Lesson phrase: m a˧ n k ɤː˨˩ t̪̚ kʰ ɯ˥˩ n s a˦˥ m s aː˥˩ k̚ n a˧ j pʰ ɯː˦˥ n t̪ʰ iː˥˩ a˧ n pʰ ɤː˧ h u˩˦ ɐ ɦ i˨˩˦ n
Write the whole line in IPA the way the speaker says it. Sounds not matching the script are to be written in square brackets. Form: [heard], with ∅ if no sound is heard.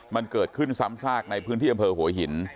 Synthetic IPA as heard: m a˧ n k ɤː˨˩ t̪̚ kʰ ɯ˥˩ n s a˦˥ m s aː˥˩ k̚ n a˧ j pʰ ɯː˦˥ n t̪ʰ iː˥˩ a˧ [m] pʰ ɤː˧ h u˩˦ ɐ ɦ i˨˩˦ n